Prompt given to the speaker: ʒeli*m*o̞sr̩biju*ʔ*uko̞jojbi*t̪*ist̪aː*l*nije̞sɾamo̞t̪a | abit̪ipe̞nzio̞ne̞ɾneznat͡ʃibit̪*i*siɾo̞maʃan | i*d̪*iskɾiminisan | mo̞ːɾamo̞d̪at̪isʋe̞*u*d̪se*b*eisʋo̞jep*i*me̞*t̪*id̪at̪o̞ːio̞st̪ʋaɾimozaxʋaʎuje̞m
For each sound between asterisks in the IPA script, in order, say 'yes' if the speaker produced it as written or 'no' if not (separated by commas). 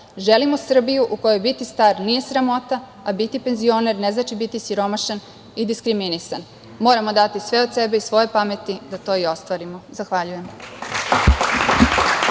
yes, yes, yes, no, yes, yes, no, yes, no, yes